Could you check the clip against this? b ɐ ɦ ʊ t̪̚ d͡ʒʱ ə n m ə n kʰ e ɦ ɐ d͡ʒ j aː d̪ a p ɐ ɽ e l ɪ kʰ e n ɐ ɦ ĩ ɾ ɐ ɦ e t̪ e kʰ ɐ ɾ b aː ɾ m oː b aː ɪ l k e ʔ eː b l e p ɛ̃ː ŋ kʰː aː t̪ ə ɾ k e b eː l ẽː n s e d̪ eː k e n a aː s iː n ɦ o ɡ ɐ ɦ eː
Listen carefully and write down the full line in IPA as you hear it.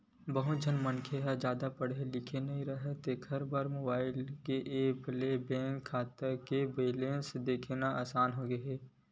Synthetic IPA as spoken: b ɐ ɦ ʊ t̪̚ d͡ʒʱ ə n m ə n kʰ e ɦ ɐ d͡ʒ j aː d̪ a p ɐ ɽ e l ɪ kʰ e n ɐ ɦ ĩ ɾ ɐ ɦ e t̪ e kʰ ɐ ɾ b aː ɾ m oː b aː ɪ l k e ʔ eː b l e b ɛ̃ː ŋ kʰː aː t̪ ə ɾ k e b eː l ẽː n s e d̪ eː kʰ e n a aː s aː n ɦ o ɡ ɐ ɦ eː